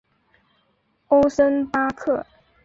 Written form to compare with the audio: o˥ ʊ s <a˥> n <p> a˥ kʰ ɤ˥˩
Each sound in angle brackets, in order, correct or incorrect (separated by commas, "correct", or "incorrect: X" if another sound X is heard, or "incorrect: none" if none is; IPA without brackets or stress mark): incorrect: ə˥, correct